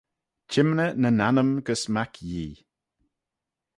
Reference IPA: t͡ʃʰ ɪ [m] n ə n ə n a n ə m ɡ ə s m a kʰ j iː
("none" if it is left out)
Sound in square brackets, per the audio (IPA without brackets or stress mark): m